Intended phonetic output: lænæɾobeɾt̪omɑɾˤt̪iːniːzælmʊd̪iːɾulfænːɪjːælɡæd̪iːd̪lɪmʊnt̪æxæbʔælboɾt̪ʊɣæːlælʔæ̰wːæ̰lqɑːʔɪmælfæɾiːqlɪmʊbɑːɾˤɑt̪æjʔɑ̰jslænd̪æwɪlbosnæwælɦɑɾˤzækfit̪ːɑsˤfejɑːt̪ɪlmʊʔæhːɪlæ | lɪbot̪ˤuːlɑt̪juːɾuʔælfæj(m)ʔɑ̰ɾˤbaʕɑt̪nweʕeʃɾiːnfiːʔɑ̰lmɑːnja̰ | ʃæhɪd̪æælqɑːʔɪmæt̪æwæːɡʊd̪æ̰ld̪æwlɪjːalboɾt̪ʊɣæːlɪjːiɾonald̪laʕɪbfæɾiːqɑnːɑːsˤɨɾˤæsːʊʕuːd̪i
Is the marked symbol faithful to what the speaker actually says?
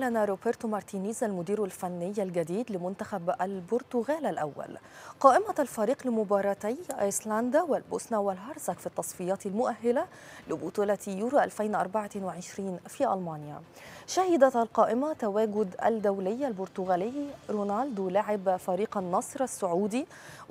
no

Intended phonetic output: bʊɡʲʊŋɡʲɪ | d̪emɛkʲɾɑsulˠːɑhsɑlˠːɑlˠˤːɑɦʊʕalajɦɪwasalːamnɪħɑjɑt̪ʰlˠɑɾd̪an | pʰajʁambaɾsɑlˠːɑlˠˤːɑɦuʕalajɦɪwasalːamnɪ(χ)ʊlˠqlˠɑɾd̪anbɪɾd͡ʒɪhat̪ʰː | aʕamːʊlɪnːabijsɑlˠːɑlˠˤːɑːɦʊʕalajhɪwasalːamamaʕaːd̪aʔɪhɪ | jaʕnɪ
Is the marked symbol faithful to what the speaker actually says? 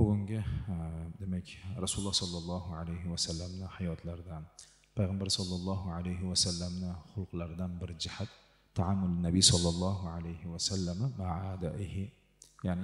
yes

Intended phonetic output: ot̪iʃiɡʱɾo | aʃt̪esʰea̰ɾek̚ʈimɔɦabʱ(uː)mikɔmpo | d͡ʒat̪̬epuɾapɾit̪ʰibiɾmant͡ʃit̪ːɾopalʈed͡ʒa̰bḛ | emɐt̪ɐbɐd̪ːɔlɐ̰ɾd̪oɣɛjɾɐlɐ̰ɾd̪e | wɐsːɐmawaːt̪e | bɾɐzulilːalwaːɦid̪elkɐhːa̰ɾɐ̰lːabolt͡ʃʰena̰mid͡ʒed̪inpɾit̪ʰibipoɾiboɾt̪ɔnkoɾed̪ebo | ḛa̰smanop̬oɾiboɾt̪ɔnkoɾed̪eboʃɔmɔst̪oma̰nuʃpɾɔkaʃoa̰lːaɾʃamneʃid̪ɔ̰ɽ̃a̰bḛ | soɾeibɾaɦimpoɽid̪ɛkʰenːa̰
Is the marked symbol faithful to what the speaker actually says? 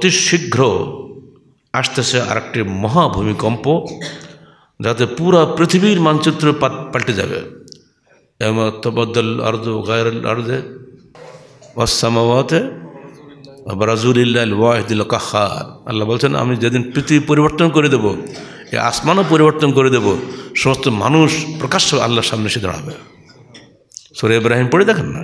no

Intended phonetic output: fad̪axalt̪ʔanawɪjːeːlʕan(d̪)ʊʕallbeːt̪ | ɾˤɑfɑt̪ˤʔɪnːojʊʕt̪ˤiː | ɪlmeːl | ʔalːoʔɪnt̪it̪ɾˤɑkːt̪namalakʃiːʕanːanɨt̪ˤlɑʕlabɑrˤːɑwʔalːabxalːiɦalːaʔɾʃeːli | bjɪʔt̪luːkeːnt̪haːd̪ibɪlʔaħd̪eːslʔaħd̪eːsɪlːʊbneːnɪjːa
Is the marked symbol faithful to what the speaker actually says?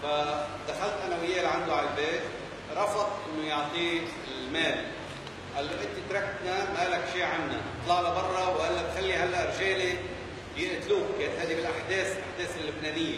yes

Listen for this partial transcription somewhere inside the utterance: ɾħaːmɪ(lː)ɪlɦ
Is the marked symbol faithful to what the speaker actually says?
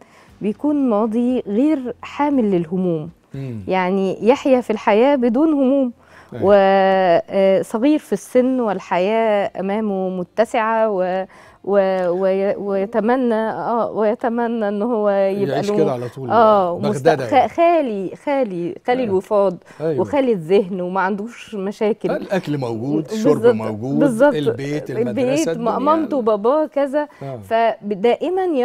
yes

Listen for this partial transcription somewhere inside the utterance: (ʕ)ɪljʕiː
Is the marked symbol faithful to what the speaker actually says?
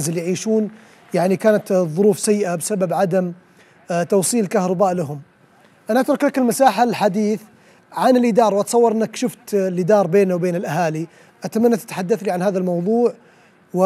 no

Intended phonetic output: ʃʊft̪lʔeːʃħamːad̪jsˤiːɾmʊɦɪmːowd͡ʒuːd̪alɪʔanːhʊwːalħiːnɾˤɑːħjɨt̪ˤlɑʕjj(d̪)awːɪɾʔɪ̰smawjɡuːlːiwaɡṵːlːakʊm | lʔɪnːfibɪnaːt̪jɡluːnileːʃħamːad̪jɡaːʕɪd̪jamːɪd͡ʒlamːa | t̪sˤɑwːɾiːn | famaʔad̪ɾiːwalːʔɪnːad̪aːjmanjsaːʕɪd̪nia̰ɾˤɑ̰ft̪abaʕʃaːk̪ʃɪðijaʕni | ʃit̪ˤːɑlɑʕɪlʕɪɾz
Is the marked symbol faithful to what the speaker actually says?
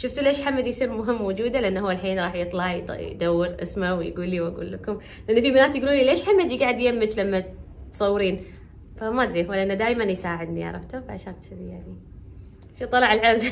yes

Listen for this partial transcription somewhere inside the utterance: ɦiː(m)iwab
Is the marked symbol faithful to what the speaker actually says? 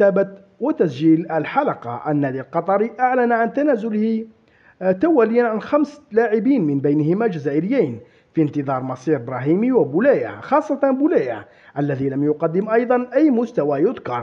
yes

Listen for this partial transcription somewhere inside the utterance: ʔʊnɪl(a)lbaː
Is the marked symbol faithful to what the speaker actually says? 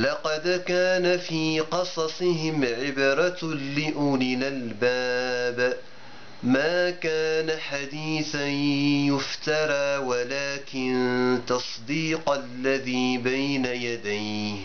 yes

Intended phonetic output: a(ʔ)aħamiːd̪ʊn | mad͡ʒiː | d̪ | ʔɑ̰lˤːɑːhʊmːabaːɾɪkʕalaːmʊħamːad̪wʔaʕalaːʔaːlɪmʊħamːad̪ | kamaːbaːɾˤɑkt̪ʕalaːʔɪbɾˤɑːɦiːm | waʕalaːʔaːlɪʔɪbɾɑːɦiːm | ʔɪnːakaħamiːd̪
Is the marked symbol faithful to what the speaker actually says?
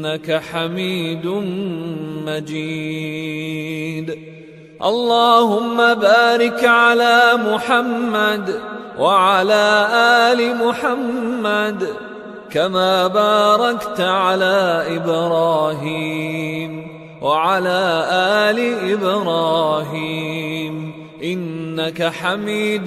no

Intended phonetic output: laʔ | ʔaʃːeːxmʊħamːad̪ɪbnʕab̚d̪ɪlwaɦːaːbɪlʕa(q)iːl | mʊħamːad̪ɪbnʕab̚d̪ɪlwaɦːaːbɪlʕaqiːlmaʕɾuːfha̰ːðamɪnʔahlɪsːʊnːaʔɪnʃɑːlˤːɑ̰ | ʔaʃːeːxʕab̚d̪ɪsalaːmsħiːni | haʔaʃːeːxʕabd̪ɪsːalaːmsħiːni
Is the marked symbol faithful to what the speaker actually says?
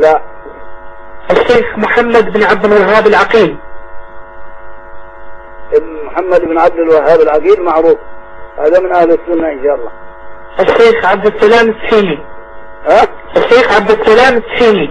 yes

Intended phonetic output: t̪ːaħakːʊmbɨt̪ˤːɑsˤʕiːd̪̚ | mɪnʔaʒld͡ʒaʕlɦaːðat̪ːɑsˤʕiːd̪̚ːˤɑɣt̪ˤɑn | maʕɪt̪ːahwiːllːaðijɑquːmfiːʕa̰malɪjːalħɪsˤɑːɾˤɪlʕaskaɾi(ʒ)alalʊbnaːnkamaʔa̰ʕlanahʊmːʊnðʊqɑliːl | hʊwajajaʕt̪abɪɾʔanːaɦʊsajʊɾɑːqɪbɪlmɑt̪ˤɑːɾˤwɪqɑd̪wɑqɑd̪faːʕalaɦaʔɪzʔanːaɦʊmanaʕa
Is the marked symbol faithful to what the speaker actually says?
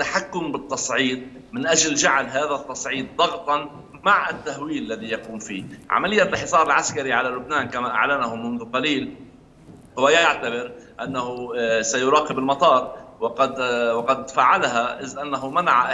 no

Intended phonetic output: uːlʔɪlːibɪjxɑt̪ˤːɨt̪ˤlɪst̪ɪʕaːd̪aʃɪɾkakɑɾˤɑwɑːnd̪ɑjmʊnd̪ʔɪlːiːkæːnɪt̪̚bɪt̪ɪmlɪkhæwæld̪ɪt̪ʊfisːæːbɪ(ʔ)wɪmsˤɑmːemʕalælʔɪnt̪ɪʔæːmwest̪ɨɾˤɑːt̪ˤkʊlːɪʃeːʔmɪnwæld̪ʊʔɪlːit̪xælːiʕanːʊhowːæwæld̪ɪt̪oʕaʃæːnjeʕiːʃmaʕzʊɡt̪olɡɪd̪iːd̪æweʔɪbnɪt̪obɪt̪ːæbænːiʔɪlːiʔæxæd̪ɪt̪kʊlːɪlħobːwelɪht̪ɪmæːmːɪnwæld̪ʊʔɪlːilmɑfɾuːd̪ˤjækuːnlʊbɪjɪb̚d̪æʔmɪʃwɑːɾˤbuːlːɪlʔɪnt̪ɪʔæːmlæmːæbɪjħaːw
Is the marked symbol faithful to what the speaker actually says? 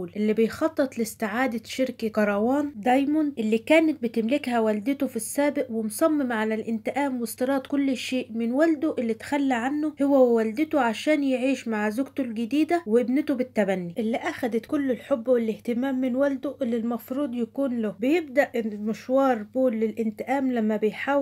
yes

